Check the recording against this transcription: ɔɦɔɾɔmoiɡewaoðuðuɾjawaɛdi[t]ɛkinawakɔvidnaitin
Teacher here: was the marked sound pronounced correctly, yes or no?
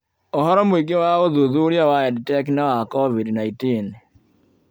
yes